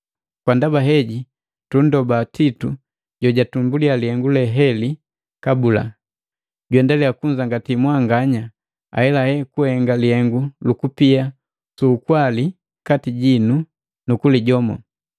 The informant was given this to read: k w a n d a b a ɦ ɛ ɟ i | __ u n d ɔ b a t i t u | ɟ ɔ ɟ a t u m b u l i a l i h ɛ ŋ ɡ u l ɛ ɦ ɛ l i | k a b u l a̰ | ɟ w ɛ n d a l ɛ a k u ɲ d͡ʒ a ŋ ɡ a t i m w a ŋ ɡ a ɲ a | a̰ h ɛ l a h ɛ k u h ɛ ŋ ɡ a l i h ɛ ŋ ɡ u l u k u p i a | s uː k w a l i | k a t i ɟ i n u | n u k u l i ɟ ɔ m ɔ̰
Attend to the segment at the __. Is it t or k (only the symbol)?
t